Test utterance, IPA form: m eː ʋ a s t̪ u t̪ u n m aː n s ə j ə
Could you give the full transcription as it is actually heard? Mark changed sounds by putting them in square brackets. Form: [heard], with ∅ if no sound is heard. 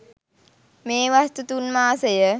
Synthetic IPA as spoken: m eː ʋ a s t̪ u t̪ u n m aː [∅] s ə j ə